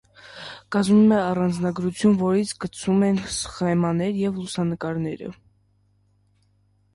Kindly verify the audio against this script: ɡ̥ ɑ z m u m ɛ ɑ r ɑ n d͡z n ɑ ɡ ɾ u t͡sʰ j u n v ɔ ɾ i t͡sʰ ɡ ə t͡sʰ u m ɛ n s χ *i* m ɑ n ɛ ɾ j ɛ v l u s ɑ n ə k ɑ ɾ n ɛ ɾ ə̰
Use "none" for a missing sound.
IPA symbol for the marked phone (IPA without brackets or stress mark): ɛ